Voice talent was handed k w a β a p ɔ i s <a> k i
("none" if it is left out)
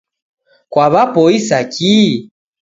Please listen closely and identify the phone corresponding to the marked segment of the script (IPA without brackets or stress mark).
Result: a